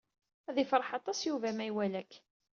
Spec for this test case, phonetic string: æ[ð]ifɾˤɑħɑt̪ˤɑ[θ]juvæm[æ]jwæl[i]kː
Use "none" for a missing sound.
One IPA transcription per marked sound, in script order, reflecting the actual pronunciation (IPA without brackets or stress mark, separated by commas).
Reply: ð, s, æ, æ